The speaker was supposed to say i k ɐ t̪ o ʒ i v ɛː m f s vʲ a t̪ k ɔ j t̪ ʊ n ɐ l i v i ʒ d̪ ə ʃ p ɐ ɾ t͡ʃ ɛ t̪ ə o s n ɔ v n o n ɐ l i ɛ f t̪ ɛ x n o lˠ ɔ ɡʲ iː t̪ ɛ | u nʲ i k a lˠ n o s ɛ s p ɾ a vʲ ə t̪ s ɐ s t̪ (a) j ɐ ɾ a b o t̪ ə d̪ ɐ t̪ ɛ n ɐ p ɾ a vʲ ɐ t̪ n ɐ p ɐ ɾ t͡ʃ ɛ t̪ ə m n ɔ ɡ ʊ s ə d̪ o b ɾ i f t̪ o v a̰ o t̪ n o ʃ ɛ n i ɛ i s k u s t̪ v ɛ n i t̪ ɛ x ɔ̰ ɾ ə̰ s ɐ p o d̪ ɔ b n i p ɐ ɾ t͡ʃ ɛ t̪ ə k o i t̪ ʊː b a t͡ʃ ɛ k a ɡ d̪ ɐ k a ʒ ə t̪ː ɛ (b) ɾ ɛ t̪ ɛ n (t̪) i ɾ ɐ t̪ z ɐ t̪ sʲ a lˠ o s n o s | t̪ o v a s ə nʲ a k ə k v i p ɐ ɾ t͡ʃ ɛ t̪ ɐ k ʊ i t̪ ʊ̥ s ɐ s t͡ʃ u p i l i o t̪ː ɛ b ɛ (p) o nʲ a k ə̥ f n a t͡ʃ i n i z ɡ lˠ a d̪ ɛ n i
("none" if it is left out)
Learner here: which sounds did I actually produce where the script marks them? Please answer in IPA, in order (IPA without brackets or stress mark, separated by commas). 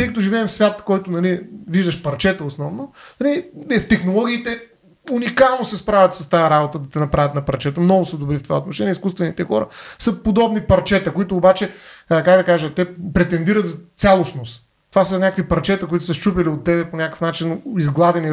a, p, d̪, p